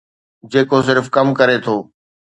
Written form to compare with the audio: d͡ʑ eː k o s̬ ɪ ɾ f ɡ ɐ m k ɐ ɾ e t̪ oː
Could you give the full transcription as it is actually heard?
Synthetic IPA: d͡ʑ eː k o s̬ ɪ ɾ f k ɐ m k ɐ ɾ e t̪ʰ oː